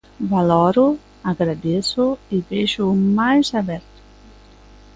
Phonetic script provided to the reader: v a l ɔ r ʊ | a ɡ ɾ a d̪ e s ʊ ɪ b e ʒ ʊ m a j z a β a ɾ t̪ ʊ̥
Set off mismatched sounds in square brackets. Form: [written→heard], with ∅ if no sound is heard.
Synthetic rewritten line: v a l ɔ [r→ɾ] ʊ | a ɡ ɾ a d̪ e s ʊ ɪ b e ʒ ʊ m a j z a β [a→ɛ] ɾ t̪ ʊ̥